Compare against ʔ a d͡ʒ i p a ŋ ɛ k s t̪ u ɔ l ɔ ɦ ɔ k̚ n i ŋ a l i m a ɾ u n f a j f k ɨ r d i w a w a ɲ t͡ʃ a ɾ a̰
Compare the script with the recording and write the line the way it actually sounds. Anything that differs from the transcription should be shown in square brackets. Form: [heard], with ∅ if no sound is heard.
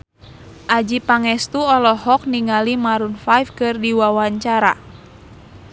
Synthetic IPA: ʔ a d͡ʒ i p a ŋ ɛ [∅] s t̪ u ɔ l ɔ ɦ ɔ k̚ n i ŋ a l i m a ɾ u n f a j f k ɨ r d i w a w a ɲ t͡ʃ a ɾ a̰